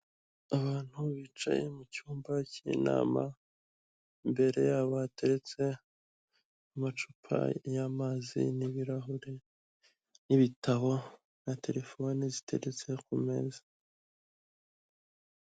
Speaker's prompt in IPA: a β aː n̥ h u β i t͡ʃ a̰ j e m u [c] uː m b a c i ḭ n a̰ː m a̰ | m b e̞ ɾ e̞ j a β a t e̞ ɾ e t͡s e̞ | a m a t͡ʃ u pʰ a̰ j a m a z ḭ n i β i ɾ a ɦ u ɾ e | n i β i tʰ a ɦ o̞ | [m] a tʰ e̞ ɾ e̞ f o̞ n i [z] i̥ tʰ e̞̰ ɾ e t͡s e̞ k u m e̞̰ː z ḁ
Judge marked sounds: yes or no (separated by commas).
yes, no, yes